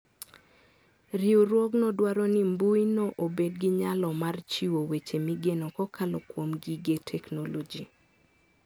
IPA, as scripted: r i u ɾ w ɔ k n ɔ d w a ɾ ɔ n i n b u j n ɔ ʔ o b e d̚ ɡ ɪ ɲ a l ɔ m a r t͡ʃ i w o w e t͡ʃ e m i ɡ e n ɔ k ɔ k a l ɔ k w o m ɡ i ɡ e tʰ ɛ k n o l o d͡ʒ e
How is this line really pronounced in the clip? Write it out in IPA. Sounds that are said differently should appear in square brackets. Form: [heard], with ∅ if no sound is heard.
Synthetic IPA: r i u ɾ w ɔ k n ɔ d w a ɾ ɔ n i [m] b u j n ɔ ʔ o b e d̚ ɡ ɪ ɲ a l ɔ m a r t͡ʃ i w o w e t͡ʃ e m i ɡ e n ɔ k ɔ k a l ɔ k w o m ɡ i ɡ e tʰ ɛ k n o l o d͡ʒ [i]